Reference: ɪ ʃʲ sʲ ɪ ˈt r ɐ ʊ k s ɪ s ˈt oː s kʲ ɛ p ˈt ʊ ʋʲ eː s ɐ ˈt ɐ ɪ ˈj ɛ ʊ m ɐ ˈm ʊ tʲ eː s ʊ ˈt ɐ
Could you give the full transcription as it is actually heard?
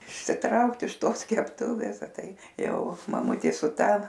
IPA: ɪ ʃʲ sʲ ɪ ˈt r ɐ ʊ k t ɪ ʃ ˈt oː s kʲ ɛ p ˈt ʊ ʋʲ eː s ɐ ˈt ɐ ɪ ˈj ɛ ʊ m ɐ ˈm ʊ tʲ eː s ʊ ˈt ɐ

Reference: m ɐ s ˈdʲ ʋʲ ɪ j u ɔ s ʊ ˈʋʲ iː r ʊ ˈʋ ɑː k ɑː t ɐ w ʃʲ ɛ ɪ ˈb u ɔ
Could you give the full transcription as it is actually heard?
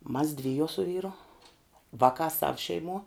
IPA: m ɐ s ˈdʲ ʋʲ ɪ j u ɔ s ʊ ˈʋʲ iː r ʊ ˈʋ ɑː k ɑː s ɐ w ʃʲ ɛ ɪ ˈm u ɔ

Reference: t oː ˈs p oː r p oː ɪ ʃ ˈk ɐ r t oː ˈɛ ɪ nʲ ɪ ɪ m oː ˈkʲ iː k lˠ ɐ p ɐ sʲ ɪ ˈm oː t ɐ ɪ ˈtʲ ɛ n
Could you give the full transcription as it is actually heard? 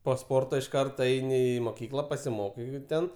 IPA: p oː ˈs p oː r t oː ɪ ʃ ˈk ɐ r t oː ˈɛ ɪ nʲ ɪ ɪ m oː ˈkʲ iː k lˠ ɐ p ɐ sʲ ɪ ˈm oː k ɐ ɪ ˈtʲ ɛ n

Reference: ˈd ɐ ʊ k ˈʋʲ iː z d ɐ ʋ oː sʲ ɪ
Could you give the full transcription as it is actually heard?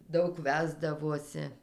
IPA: ˈd ɐ ʊ k ˈʋʲ æː z d ɐ ʋ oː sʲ ɪ

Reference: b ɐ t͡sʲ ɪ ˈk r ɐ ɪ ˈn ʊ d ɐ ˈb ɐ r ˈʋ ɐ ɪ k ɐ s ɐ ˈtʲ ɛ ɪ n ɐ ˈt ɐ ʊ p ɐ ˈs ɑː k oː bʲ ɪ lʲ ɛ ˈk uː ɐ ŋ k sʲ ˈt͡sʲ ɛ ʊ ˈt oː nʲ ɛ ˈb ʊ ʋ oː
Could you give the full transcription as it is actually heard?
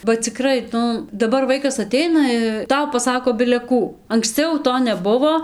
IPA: b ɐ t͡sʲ ɪ ˈk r ɐ ɪ ˈn ʊ d ɐ ˈb ɐ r ˈʋ ɐ ɪ k ɐ s ɐ ˈtʲ ɛ ɪ n ɐ ˈt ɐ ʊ p ɐ ˈs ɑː k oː bʲ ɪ lʲ ɛ ˈk uː ɐ ŋ k sʲ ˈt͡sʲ ɛ ʊ ˈt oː nʲ ɛ ˈb ʊ ʋ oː

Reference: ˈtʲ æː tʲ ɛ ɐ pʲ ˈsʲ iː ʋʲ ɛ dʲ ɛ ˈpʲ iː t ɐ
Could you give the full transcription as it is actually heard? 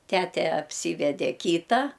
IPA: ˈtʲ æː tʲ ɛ ɐ pʲ ˈsʲ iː ʋʲ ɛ dʲ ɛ ˈkʲ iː t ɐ

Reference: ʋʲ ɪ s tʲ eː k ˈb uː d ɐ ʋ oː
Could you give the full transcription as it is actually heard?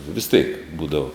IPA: ʋʲ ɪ s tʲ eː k ˈb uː d ɐ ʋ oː

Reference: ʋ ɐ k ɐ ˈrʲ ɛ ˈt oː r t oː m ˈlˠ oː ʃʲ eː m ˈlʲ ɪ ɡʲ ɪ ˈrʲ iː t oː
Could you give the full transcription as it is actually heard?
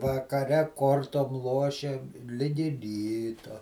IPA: ʋ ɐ k ɐ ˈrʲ ɛ ˈk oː r t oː m ˈlˠ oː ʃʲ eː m ˈlʲ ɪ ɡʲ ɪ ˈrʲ iː t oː

